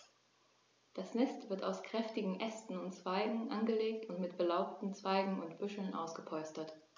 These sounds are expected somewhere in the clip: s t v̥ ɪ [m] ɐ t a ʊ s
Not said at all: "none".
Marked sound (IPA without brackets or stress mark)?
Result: none